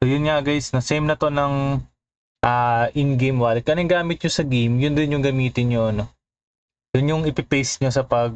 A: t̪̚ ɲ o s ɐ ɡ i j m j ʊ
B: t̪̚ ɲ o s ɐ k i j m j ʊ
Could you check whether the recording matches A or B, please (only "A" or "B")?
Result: A